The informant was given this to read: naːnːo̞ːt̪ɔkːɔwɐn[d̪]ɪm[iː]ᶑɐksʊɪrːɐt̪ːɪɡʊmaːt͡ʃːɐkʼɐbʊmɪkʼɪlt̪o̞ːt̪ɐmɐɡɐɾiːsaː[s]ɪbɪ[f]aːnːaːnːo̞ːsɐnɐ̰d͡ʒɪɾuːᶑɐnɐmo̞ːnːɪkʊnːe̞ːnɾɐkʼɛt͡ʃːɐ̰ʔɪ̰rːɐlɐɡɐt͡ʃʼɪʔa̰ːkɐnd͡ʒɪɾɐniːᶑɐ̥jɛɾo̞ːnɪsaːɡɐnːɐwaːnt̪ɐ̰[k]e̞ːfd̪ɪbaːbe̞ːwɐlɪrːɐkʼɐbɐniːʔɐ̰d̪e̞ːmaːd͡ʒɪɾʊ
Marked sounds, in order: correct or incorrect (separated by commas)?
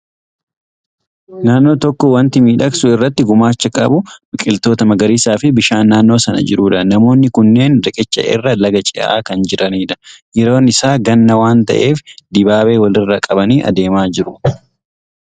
incorrect, correct, incorrect, incorrect, incorrect